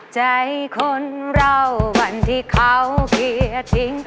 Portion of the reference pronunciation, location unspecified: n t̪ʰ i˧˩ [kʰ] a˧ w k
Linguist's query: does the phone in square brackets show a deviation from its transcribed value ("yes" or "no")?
no